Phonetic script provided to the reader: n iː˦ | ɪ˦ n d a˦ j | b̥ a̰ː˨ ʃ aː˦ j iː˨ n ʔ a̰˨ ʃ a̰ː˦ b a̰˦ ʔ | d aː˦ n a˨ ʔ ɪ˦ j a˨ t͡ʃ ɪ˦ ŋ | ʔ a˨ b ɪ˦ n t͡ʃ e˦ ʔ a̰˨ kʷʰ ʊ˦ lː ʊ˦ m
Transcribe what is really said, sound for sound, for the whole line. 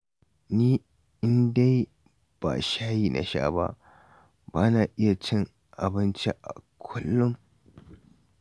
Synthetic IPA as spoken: n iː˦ | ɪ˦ n d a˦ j | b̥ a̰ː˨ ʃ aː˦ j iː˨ n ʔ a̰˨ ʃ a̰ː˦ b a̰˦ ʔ | b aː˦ n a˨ ʔ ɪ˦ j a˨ t͡ʃ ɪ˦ ŋ | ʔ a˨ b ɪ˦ n t͡ʃ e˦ ʔ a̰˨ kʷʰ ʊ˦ lː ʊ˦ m

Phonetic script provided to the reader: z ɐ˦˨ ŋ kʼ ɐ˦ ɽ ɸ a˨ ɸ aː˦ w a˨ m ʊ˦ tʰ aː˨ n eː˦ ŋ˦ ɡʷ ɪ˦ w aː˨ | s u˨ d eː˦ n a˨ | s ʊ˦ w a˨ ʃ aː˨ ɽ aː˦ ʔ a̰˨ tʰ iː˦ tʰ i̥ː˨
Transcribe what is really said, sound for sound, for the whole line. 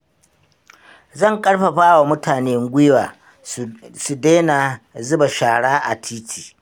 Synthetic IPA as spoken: z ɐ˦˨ ŋ kʼ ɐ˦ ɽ ɸ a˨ ɸ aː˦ w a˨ m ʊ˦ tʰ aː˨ n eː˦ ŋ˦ ɡʷ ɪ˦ w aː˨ | s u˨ d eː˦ n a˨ | z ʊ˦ b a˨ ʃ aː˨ ɽ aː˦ ʔ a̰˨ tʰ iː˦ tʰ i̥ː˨

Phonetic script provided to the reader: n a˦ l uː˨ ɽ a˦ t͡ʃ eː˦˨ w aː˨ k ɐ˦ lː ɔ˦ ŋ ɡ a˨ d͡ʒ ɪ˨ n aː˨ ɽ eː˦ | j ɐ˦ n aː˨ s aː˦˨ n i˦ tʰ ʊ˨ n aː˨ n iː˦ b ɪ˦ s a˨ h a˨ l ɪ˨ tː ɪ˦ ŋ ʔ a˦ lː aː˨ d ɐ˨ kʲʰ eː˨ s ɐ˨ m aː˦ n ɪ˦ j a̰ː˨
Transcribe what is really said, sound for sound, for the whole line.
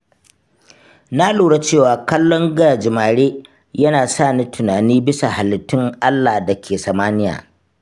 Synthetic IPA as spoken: n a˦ l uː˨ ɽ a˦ t͡ʃ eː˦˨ w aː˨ k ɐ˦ lː ɔ˦ ŋ ɡ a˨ d͡ʒ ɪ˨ m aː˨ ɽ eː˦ | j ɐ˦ n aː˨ s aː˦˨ n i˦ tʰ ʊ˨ n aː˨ n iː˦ b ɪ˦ s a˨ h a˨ l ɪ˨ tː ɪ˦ ŋ ʔ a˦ lː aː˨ d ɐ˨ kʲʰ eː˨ s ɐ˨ m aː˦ n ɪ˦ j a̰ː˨

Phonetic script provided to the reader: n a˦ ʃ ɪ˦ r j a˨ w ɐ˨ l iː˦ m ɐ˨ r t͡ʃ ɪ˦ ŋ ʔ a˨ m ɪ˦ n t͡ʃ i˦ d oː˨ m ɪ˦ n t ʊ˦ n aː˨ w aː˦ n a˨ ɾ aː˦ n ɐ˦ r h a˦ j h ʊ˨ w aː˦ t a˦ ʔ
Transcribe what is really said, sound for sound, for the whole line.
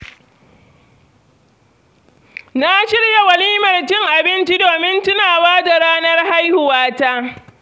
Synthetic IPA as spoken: n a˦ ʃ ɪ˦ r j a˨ w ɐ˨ l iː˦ m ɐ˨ r t͡ʃ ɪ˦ ŋ ʔ a˨ b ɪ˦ n t͡ʃ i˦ d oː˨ m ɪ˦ n t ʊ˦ n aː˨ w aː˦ d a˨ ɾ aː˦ n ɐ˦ r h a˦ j h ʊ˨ w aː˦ t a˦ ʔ

